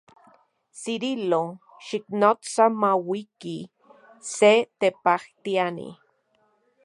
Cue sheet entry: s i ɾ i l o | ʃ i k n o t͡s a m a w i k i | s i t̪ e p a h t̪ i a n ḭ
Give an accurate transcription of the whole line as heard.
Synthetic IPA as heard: s i ɾ i l o | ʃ i k n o t͡s a m a w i k i | s e t̪ e p a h t̪ i a n ḭ